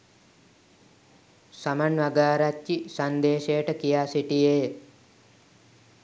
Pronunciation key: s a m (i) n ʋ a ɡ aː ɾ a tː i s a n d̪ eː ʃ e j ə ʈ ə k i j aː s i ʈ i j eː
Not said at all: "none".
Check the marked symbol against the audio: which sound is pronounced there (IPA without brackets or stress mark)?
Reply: a